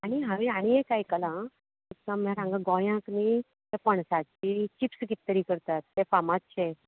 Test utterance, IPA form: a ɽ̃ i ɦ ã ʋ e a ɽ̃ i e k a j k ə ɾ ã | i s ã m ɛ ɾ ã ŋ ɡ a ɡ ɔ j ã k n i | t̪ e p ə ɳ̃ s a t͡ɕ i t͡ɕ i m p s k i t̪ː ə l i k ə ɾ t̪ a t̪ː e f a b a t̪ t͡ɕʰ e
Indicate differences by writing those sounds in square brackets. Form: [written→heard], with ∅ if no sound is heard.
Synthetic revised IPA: a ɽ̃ i ɦ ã ʋ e a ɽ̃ i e k a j k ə [ɾ→l] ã | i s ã m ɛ ɾ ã ŋ ɡ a ɡ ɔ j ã k n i | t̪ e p ə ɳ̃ s a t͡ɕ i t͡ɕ i [m→∅] p s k i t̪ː ə [l→ɾ] i k ə ɾ t̪ a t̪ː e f a [b→m] a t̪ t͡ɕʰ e